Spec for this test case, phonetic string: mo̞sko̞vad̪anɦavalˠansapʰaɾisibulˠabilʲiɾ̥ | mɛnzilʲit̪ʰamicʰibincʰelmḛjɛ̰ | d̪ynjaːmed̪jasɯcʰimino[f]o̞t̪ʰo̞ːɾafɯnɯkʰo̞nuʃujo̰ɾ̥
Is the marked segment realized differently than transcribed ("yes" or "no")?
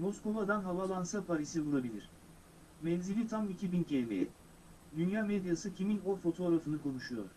no